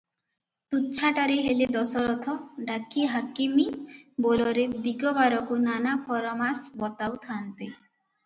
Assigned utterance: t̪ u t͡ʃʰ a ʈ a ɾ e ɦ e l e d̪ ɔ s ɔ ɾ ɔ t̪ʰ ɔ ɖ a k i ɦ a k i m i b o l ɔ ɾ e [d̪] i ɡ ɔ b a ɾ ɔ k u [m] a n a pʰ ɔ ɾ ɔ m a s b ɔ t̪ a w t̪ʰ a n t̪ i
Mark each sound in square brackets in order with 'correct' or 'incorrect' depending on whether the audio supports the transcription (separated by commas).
correct, incorrect